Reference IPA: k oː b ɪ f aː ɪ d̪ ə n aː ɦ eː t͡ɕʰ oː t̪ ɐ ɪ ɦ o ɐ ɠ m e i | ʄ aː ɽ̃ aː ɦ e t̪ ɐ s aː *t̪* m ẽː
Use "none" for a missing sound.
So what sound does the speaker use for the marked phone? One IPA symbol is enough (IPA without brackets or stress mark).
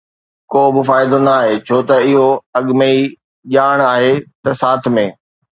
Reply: t̪ʰ